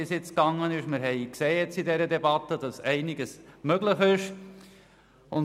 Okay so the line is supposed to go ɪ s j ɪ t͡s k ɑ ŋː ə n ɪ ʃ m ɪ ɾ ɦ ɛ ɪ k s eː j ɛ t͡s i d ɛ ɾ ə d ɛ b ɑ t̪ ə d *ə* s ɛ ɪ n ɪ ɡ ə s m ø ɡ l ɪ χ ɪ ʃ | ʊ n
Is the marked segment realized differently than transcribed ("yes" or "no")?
yes